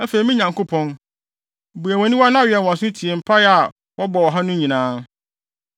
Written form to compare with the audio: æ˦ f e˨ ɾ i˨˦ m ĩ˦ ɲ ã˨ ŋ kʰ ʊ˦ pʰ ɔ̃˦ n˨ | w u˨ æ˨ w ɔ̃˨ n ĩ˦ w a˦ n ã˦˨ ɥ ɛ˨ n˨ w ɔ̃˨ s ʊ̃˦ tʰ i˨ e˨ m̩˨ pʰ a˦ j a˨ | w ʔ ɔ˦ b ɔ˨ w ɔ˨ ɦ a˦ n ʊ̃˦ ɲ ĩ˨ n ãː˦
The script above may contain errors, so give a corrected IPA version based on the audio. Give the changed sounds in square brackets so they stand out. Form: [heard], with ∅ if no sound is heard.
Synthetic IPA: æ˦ f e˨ ɾ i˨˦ m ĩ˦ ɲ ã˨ ŋ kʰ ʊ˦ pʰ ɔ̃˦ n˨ | [b] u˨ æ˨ w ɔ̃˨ n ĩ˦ w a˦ n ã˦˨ ɥ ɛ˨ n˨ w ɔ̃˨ s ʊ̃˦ tʰ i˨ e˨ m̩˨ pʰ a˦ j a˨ | w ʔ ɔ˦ b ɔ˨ w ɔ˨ ɦ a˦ n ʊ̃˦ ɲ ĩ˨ n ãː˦